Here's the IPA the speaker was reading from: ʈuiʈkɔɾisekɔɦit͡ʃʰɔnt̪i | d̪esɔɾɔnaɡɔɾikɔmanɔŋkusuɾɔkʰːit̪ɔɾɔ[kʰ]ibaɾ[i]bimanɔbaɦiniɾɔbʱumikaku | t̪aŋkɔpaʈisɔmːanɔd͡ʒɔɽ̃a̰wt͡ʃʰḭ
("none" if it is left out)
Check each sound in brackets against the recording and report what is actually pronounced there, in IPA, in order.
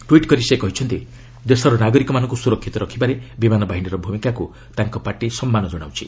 kʰ, e

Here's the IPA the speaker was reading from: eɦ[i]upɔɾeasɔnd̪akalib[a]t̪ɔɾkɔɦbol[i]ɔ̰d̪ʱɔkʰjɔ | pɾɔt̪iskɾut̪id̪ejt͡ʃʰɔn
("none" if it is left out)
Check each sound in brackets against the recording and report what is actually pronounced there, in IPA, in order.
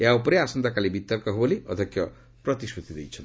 a, i, i

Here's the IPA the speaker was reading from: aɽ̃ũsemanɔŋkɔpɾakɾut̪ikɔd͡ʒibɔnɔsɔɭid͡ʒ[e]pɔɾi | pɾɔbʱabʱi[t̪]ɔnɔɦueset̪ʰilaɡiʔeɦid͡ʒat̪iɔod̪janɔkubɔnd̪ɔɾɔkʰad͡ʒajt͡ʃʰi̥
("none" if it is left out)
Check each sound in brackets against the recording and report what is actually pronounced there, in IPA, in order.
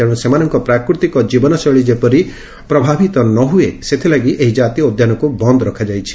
e, t̪

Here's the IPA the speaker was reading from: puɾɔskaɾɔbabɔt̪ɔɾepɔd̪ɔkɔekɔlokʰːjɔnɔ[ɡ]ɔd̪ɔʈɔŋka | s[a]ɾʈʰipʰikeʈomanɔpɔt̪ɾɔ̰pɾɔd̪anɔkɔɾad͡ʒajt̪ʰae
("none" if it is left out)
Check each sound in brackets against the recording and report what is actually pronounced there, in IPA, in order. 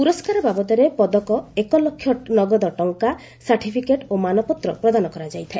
ɡ, a

